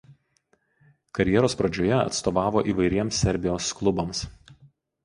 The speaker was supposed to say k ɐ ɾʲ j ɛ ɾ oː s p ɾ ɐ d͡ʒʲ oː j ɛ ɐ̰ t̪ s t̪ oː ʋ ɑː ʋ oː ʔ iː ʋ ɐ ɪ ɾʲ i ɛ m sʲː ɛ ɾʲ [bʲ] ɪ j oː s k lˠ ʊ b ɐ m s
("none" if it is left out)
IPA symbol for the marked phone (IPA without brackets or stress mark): bʲ